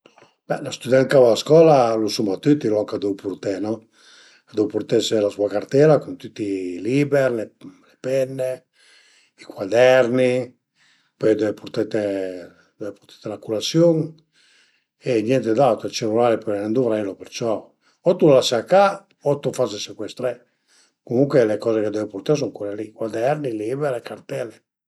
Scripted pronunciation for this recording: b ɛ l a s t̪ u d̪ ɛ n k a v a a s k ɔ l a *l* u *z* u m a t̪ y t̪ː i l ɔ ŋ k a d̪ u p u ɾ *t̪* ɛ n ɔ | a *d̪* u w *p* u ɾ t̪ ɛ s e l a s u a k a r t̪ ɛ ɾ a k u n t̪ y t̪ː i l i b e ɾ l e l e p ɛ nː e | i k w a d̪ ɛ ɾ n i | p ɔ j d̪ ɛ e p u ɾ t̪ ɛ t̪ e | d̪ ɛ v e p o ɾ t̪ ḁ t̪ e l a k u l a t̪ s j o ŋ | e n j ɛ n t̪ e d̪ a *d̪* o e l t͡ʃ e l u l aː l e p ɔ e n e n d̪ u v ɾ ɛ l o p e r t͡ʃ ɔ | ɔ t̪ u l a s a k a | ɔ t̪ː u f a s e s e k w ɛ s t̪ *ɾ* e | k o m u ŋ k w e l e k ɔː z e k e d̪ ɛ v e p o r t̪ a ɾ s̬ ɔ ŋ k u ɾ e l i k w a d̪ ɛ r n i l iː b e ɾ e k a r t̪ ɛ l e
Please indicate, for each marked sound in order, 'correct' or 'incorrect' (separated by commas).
correct, incorrect, correct, correct, correct, incorrect, correct